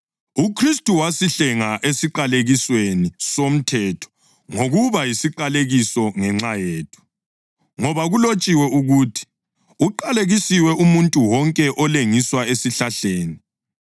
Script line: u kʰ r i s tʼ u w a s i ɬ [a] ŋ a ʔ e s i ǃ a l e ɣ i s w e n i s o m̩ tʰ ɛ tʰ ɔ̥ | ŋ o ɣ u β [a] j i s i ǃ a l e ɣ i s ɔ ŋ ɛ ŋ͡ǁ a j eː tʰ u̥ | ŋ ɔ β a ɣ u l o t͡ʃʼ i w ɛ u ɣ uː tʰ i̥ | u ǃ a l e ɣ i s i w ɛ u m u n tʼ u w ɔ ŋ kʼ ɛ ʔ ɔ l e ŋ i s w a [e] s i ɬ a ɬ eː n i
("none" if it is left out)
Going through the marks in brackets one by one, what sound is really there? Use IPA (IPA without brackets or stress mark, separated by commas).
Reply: ɛ, a, e